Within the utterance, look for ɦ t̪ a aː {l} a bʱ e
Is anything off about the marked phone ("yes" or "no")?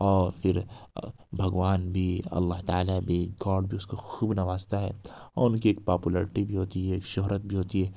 no